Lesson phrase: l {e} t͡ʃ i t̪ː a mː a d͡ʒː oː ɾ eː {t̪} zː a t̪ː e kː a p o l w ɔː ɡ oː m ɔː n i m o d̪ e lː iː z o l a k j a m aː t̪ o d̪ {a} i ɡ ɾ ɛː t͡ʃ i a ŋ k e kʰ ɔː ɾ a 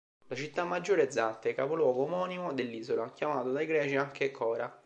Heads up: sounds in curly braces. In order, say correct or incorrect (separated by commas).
incorrect, incorrect, correct